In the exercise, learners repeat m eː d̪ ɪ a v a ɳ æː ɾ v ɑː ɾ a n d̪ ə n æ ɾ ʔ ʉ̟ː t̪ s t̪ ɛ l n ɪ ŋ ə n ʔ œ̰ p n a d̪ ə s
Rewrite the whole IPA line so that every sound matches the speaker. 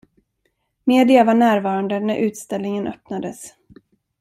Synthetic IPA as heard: m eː d̪ ɪ a v a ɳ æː ɾ v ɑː ɾ a n d̪ ə n æ ɾ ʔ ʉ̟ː t̪ s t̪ ɛ l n ɪ ŋ ə n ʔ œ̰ p n a d̪ ə s